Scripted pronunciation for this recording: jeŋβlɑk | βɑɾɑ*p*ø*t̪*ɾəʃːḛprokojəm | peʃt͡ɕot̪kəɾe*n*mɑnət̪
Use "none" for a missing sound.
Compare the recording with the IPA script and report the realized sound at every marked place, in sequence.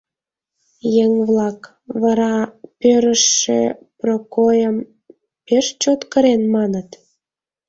p, none, n

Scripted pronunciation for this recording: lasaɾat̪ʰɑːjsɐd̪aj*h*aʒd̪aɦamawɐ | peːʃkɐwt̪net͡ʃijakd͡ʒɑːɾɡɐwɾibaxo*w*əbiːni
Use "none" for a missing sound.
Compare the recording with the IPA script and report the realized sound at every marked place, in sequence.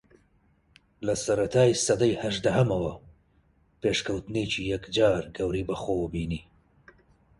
h, w

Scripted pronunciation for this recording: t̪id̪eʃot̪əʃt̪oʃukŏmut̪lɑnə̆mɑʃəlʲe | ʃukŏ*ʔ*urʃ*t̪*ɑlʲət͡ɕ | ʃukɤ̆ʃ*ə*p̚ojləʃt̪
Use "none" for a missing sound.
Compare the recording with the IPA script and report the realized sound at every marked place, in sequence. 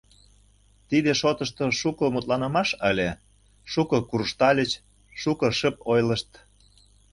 k, t̪, ə

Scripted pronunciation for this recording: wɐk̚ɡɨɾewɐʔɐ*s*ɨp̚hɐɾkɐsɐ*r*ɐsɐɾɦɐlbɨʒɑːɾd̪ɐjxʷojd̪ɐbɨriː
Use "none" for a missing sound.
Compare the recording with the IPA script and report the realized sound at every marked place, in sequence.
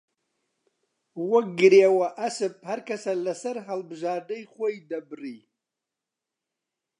s, l

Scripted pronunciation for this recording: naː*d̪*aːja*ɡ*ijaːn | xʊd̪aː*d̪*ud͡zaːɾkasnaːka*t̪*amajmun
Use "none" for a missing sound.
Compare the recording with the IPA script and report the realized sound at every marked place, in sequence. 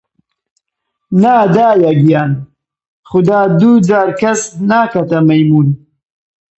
d̪, ɡ, d̪, t̪

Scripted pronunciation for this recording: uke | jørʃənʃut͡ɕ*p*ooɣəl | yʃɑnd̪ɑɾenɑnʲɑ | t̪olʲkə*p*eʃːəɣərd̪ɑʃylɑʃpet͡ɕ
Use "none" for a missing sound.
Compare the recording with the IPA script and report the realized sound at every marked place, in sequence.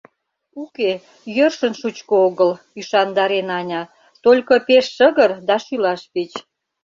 k, p

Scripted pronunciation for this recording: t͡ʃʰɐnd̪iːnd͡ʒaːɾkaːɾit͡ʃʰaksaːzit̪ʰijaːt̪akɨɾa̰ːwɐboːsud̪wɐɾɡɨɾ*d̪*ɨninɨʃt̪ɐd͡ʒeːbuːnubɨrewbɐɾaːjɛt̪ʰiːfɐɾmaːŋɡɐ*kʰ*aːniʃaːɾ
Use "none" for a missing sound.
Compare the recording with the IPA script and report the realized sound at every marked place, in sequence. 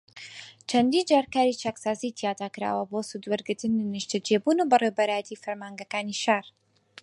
t̪, k

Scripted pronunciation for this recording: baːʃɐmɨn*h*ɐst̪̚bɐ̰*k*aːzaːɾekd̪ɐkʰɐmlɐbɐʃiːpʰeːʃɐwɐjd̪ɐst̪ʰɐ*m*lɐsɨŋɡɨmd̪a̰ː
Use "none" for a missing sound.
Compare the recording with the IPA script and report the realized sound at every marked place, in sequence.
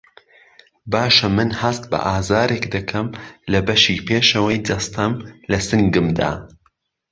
h, ʔ, m

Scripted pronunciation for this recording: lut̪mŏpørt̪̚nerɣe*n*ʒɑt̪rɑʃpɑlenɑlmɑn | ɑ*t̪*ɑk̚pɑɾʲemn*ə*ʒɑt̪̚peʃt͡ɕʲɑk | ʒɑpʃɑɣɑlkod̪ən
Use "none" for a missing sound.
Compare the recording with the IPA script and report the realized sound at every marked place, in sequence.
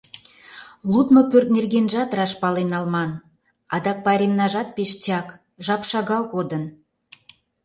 n, d̪, ɑ

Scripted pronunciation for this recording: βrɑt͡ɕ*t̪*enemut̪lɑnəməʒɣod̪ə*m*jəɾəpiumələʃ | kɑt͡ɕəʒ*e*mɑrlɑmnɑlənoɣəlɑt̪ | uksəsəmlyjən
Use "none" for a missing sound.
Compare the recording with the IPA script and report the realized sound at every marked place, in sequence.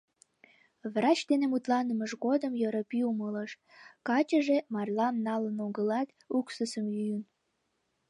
d̪, m, e

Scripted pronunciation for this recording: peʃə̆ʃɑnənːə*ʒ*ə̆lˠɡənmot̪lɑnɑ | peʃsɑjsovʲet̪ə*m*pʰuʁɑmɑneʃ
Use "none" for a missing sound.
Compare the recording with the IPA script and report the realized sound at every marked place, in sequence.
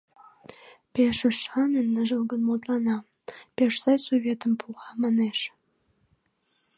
ʒ, m

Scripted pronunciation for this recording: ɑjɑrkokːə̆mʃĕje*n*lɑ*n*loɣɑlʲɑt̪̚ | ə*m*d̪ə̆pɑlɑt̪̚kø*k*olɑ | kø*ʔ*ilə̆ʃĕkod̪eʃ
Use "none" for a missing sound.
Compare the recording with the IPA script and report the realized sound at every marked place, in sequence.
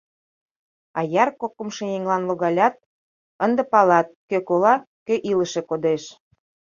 ŋ, n, n, k, ʔ

